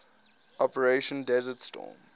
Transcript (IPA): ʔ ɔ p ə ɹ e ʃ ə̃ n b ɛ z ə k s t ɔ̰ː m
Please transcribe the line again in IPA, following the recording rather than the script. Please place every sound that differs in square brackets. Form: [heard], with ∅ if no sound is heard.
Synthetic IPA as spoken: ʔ ɔ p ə ɹ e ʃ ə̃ n [d] ɛ z ə [t] s t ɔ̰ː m